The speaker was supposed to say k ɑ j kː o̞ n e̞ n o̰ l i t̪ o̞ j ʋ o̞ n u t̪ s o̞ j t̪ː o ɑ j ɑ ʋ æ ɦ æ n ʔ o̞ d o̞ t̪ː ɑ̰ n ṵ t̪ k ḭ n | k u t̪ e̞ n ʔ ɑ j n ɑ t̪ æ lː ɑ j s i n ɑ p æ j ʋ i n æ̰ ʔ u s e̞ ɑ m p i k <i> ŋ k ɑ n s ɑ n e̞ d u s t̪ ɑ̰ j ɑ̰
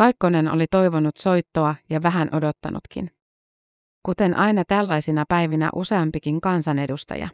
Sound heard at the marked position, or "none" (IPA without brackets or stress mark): i